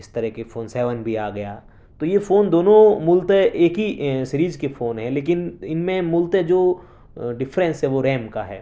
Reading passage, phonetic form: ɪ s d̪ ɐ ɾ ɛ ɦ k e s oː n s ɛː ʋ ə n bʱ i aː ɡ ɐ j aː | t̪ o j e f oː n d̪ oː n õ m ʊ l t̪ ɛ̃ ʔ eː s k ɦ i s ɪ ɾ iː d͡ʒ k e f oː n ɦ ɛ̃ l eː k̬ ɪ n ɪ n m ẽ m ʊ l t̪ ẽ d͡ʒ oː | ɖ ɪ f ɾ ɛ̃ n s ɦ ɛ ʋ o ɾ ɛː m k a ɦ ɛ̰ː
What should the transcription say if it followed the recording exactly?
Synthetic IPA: ɪ s t̪ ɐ ɾ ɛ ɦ k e f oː n s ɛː ʋ ə n bʱ i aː ɡ ɐ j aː | t̪ o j e f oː n d̪ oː n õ m ʊ l t̪ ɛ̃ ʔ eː k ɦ i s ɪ ɾ iː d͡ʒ k e f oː n ɦ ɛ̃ l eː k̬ ɪ n ɪ n m ẽ m ʊ l t̪ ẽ d͡ʒ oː | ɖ ɪ f ɾ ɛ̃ n s ɦ ɛ ʋ o ɾ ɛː m k a ɦ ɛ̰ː